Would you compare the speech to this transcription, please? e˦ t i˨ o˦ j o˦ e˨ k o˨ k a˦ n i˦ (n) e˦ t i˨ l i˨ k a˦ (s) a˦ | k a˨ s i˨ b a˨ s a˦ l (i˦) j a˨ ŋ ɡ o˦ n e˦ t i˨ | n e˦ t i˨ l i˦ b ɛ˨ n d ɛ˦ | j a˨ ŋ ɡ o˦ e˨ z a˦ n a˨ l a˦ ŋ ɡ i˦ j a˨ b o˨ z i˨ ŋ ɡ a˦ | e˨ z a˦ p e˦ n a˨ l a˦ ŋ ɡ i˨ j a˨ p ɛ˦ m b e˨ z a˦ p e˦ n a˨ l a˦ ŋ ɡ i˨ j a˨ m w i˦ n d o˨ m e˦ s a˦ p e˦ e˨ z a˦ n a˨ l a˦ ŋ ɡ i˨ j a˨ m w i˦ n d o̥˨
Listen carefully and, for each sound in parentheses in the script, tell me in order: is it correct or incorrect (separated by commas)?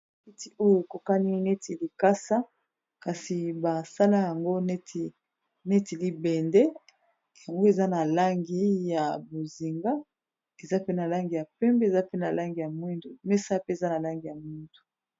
correct, correct, incorrect